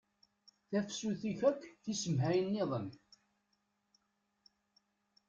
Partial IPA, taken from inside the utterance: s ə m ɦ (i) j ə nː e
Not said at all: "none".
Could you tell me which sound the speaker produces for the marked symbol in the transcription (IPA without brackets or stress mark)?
æ